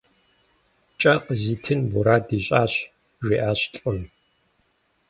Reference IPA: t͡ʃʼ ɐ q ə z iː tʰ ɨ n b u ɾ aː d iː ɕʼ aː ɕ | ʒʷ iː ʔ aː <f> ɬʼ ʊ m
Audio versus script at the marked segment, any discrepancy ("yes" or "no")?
yes